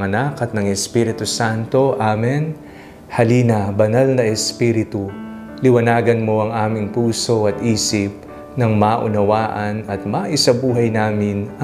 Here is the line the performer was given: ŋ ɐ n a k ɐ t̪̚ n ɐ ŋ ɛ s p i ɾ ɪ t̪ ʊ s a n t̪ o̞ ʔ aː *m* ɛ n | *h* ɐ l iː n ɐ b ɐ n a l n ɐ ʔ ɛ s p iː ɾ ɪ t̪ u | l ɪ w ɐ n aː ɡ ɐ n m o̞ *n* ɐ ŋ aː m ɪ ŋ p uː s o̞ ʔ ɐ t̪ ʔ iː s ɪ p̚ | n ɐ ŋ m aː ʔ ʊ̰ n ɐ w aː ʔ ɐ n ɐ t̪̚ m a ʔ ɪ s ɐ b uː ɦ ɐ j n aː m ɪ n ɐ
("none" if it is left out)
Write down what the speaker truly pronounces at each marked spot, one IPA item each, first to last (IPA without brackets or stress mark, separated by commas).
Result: m, h, none